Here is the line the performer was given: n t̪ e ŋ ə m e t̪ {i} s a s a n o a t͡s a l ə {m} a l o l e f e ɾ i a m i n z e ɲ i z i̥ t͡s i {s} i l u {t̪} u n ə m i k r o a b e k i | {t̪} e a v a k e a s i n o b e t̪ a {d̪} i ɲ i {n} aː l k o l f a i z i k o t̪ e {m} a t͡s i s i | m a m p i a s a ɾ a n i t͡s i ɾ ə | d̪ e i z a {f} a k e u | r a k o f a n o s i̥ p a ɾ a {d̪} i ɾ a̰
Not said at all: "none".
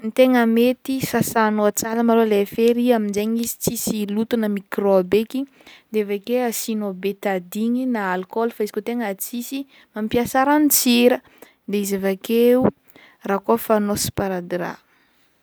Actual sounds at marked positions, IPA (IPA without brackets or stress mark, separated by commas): i, m, s, t̪, d̪, d̪, n, ŋ, v, d̪